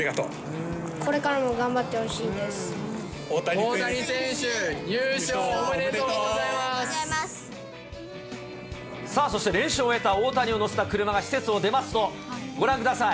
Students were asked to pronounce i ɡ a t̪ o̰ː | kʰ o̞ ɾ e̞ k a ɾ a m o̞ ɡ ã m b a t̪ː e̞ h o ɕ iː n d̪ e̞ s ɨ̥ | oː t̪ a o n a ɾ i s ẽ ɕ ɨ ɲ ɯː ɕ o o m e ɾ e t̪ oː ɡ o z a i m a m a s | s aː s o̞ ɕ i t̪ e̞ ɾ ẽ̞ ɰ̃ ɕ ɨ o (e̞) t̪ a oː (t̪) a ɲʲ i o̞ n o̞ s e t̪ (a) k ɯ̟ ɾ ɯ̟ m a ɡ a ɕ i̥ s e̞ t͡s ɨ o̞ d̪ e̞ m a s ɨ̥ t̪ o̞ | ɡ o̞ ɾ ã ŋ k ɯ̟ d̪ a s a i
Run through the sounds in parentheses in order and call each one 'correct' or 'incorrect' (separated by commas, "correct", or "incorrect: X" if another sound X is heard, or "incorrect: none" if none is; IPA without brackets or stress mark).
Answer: correct, correct, correct